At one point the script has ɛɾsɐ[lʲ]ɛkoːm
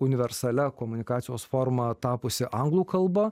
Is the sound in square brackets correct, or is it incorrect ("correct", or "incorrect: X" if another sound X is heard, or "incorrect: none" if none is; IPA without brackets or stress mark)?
correct